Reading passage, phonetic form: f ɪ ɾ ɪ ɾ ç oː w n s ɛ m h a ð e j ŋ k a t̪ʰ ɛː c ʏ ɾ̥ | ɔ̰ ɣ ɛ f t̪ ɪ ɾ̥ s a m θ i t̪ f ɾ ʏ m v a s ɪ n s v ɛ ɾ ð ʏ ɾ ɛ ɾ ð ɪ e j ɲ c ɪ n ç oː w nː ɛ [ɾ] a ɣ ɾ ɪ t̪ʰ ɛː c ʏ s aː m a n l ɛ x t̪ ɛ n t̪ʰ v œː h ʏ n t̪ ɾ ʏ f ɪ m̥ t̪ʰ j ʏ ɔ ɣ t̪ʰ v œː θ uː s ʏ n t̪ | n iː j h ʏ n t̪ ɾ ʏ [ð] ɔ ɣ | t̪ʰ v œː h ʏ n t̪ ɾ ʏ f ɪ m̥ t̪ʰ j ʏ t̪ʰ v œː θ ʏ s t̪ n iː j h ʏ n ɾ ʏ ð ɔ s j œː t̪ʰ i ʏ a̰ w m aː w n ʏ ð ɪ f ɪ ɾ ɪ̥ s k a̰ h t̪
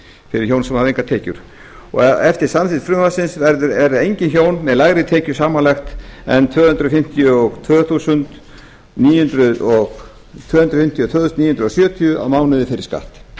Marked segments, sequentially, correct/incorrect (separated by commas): incorrect, correct